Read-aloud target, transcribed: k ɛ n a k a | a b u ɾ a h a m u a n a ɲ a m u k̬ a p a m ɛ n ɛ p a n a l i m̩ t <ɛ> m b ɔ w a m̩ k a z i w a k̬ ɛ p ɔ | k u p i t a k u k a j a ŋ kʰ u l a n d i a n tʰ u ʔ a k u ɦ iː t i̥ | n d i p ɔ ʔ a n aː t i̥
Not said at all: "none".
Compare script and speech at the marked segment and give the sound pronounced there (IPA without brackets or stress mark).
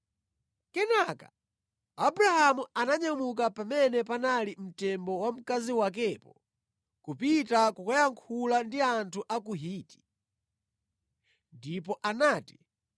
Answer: ɛ